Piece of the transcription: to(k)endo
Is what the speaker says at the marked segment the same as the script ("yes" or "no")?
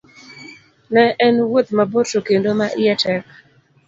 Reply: yes